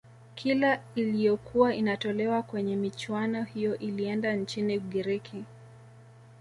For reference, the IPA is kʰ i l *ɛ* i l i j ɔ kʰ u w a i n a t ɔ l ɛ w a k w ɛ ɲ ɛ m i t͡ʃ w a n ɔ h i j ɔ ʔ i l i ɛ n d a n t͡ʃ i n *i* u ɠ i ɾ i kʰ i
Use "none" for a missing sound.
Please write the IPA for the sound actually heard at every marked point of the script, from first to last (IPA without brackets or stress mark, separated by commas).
a, i